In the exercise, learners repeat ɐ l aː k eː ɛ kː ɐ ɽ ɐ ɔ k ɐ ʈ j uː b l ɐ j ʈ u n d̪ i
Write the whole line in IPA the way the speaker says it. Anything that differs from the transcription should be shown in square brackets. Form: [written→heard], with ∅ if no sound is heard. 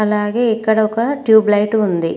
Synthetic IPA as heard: ɐ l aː [k→ɡ] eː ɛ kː ɐ ɽ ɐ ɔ k ɐ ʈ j uː b l ɐ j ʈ u n d̪ i